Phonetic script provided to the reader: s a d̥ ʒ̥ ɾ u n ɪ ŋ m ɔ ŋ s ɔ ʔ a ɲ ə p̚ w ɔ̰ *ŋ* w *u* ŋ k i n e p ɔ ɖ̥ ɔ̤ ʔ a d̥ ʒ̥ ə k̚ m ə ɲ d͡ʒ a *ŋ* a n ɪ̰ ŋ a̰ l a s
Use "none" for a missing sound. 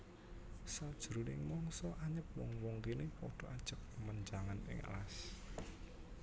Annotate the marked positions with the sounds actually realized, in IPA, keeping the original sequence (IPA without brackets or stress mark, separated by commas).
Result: ŋ, ɔ, ŋ